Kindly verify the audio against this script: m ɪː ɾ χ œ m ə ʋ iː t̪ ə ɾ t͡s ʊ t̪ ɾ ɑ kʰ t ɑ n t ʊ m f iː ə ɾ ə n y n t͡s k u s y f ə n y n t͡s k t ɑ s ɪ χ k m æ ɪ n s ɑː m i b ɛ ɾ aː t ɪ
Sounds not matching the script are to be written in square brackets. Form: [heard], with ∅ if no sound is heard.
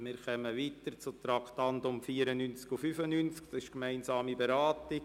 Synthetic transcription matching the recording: m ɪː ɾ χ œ m ə ʋ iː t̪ ə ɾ t͡s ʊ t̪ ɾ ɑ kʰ t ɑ n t ʊ m f iː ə ɾ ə n y n t͡s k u [f] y f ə n y n t͡s k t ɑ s ɪ [ʃ] k m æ ɪ n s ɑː m i b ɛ ɾ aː t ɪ